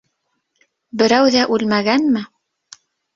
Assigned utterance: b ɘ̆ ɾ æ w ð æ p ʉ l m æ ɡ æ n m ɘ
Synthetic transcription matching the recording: b ɘ̆ ɾ æ w ð æ ʔ ʉ l m æ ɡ æ n m ɘ